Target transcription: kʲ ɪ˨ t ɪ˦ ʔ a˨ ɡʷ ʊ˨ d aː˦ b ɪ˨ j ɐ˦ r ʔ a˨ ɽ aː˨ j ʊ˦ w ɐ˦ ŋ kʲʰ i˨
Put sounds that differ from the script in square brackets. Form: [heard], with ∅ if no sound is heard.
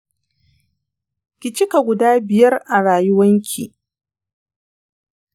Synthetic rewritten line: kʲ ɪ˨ [t͡ʃ] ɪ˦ [k] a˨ ɡʷ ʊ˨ d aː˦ b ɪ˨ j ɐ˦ r ʔ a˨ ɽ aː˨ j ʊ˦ w ɐ˦ ŋ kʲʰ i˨